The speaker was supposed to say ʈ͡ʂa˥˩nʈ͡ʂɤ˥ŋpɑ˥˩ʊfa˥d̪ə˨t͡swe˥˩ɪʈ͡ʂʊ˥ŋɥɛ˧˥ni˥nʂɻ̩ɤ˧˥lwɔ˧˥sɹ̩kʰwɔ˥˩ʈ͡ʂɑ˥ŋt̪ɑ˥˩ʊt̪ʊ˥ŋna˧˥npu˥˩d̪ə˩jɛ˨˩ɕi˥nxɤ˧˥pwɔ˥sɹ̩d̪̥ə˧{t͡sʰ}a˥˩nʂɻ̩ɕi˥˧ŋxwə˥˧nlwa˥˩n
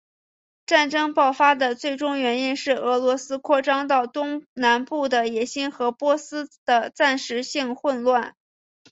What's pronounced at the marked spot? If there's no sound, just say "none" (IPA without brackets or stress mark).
t͡s